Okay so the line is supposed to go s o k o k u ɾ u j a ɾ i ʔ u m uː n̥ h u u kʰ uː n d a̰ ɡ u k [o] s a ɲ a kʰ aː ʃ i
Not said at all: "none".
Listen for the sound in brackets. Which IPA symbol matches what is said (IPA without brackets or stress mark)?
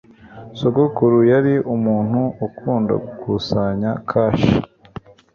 u